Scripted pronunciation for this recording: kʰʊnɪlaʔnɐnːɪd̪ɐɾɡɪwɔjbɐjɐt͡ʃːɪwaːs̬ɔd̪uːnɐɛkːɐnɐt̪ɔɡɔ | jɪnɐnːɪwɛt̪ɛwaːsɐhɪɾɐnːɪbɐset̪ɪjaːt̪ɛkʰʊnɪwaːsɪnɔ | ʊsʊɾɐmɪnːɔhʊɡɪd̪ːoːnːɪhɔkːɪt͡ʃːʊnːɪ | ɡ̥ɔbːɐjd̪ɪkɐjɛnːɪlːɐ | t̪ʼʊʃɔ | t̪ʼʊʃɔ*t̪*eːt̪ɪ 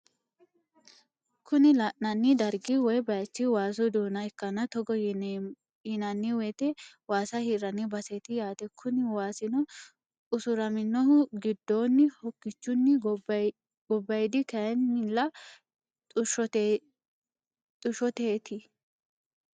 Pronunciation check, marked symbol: correct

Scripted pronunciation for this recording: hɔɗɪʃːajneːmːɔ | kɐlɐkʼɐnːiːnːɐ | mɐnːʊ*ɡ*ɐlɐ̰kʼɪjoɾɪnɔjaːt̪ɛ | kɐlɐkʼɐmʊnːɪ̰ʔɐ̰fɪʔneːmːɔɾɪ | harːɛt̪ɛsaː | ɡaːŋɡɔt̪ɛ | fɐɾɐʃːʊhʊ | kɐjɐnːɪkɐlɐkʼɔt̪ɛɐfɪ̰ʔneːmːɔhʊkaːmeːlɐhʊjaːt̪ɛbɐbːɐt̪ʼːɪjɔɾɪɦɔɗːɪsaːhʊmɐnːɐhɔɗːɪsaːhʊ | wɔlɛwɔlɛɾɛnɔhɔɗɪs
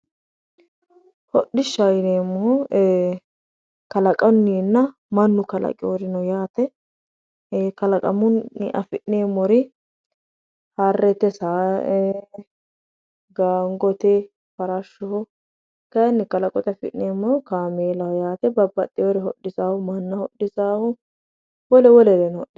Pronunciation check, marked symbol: incorrect: k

